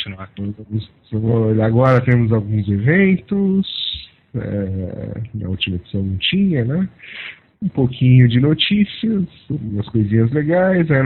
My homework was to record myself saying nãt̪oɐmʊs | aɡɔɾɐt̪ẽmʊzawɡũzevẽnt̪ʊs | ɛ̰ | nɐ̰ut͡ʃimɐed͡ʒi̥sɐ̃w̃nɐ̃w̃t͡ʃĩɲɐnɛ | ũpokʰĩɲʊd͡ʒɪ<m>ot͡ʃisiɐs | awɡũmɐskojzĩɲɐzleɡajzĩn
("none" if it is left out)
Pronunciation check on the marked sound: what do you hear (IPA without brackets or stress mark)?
n